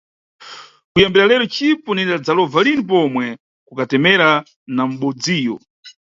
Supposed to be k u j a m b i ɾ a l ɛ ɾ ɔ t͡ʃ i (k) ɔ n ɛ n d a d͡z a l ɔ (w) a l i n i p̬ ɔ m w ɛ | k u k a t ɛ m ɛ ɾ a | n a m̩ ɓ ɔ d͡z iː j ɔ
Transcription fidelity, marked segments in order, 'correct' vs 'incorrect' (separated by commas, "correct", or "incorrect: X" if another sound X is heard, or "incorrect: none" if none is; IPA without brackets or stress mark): incorrect: p, incorrect: v